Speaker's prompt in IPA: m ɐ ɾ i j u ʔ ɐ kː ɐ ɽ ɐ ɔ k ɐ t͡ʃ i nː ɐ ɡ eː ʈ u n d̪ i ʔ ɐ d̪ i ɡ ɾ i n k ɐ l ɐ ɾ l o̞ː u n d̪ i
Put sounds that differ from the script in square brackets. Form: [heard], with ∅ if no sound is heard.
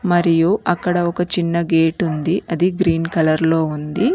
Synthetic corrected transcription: m ɐ ɾ i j u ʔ ɐ kː ɐ ɽ ɐ ɔ k ɐ t͡ʃ i nː ɐ ɡ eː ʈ u n d̪ i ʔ ɐ d̪ i ɡ ɾ [iː] n k ɐ l ɐ ɾ l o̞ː u n d̪ i